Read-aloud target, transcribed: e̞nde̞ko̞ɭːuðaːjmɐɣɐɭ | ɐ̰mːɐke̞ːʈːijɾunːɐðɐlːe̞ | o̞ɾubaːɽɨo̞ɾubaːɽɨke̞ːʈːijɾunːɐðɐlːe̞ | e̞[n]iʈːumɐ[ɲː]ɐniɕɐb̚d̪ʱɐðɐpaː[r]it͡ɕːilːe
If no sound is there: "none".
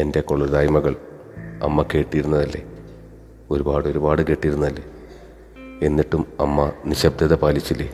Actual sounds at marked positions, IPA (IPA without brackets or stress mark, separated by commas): nː, mː, l